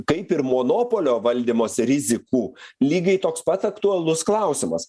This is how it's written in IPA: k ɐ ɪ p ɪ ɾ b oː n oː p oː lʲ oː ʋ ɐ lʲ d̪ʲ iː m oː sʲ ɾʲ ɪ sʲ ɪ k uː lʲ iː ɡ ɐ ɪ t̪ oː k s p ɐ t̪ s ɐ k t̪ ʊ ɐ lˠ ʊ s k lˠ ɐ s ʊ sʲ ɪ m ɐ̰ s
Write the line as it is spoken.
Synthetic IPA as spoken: k ɐ ɪ p ɪ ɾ m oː n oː p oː lʲ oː ʋ ɐ lʲ d̪ʲ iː m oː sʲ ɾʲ ɪ zʲ ɪ k uː lʲ iː ɡ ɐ ɪ t̪ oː k s p ɐ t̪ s ɐ k t̪ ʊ ɐ lˠ ʊ s k lˠ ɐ ʊ sʲ ɪ m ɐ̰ s

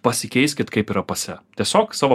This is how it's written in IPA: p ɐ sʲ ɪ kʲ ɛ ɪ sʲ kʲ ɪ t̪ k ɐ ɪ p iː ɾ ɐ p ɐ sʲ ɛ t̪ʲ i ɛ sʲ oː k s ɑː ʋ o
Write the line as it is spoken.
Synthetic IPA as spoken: p ɐ sʲ ɪ kʲ ɛ ɪ sʲ kʲ ɪ t̪ k ɐ ɪ p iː ɾ ɐ p ɐ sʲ ɛ t̪ʲ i ɛ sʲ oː k s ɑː ʋ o

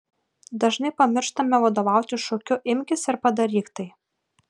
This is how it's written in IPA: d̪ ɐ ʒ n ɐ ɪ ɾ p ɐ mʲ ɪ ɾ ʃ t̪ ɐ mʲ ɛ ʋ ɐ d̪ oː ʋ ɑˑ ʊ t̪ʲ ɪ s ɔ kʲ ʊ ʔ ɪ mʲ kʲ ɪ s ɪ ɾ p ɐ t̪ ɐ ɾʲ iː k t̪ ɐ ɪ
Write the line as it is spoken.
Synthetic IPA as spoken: d̪ ɐ ʒ n ɐ ɪ p ɐ mʲ ɪ ɾ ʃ t̪ ɐ mʲ ɛ ʋ ɐ d̪ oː ʋ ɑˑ ʊ t̪ʲ ɪ ʃ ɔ kʲ ʊ ʔ ɪ mʲ kʲ ɪ s ɪ ɾ p ɐ d̪ ɐ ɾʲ iː k t̪ ɐ ɪ

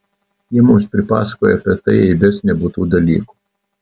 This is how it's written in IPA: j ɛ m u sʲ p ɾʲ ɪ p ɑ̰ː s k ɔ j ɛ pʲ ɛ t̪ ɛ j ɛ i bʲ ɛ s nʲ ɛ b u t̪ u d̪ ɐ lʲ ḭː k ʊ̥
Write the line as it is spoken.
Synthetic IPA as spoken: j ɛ m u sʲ p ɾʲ ɪ p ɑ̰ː s k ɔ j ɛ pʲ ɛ t̪ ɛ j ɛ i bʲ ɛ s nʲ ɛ b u t̪ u d̪ ɐ lʲ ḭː k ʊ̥

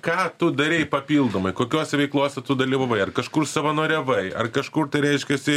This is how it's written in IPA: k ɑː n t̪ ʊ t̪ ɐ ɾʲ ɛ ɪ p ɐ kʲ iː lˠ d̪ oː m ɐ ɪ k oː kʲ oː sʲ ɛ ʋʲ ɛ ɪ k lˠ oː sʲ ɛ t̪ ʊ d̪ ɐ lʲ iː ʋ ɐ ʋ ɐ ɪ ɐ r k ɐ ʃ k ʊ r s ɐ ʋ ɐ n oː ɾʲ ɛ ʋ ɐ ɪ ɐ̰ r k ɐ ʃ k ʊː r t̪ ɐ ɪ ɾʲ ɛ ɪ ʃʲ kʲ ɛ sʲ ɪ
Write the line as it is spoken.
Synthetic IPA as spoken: k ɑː t̪ ʊ d̪ ɐ ɾʲ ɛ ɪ p ɐ pʲ iː lˠ d̪ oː m ɐ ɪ k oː kʲ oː sʲ ɛ ʋʲ ɛ ɪ k lˠ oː sʲ ɛ t̪ ʊ d̪ ɐ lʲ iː ʋ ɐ ʋ ɐ ɪ ɐ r k ɐ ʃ k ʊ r s ɐ ʋ ɐ n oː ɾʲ ɛ ʋ ɐ ɪ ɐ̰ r k ɐ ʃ k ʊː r t̪ ɐ ɪ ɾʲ ɛ ɪ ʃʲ kʲ ɛ sʲ ɪ

